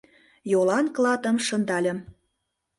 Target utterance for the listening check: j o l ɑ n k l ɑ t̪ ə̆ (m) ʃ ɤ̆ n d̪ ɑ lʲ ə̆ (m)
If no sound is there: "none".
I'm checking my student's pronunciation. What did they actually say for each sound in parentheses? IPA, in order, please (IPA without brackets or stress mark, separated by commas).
m, m